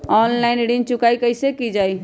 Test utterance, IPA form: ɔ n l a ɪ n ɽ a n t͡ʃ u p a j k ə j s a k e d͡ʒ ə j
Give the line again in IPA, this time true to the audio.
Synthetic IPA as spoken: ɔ n l a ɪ n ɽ i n t͡ʃ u k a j k ə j s e k i d͡ʒ a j